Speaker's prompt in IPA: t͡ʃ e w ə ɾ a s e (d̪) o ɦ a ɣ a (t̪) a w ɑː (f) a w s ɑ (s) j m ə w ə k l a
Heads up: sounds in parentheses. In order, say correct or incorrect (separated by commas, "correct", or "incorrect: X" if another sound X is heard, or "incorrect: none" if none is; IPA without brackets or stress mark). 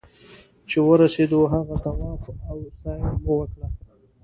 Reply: correct, correct, correct, incorrect: none